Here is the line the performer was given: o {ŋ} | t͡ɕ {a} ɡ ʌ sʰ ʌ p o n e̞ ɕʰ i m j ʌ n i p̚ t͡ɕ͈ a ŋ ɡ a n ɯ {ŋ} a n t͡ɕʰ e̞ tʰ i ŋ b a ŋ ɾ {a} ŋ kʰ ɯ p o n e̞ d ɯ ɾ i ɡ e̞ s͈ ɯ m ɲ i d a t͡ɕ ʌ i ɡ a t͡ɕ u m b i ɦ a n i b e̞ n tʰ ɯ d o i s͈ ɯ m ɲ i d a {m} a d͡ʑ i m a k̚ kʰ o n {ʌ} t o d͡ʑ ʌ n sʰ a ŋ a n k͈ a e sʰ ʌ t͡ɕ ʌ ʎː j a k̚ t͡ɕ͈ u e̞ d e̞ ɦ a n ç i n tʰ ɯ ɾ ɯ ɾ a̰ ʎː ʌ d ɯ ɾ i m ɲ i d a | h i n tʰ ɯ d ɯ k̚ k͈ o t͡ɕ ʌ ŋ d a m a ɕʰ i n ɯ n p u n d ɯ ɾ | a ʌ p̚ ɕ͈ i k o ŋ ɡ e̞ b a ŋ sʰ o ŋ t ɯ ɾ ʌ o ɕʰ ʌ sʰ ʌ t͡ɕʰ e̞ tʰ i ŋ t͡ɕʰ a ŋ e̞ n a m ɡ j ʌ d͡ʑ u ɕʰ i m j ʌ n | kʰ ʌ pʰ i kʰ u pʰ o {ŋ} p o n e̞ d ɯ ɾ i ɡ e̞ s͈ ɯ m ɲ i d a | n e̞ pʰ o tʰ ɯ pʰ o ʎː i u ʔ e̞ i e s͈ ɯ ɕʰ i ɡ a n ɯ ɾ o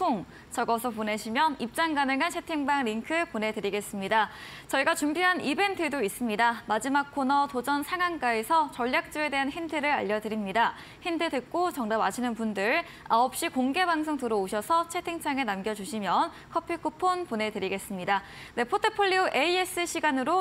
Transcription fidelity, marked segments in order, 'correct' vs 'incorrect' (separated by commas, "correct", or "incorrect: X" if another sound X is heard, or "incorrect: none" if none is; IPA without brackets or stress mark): correct, incorrect: ʌ, correct, incorrect: i, correct, correct, incorrect: n